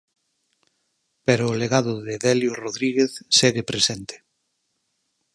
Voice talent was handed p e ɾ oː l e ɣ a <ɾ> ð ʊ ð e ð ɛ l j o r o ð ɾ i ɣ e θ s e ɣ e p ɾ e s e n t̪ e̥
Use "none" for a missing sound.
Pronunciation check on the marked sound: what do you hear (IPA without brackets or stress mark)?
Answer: none